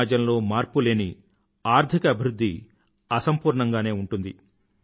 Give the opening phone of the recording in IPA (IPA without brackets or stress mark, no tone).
d͡ʒ